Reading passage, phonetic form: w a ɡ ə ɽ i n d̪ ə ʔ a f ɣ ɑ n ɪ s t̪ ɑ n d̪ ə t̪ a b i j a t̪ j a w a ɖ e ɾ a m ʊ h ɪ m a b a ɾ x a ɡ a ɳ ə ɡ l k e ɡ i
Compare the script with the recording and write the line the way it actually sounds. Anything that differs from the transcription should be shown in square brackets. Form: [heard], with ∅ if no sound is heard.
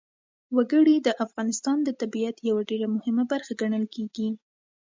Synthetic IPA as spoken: w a ɡ ə ɽ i [∅] d̪ ə ʔ a f ɣ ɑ n ɪ s t̪ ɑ n d̪ ə t̪ a b i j a t̪ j a w a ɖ e ɾ a m ʊ h ɪ m a b a ɾ x a ɡ a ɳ ə [∅] l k e ɡ i